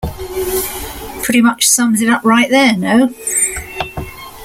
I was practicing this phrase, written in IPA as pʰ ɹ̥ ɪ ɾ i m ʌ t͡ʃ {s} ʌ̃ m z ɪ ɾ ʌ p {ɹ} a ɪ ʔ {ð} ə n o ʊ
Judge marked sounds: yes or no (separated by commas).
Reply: yes, yes, yes